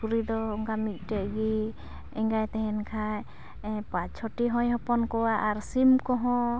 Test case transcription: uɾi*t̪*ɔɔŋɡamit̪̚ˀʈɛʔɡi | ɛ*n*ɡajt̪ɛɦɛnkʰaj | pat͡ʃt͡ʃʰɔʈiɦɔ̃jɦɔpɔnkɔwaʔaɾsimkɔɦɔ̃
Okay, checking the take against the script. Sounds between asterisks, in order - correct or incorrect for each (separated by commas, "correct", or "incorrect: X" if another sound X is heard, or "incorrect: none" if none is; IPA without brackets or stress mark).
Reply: incorrect: d̪, incorrect: ŋ